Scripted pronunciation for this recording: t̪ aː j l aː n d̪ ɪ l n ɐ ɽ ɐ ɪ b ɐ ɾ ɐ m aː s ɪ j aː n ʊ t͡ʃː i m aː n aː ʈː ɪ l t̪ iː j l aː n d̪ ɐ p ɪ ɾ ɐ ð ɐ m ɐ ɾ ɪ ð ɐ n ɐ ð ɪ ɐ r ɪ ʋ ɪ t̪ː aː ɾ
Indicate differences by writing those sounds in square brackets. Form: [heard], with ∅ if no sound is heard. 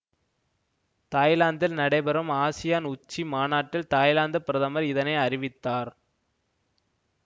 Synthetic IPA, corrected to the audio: t̪ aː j l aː n d̪ ɪ l n ɐ ɽ ɐ ɪ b ɐ ɾ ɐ m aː s ɪ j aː n ʊ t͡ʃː i m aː n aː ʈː ɪ l t̪ [aː] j l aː n d̪ ɐ p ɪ ɾ ɐ ð ɐ m ɐ ɾ ɪ ð ɐ n ɐ [∅] ɪ ɐ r ɪ ʋ ɪ t̪ː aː ɾ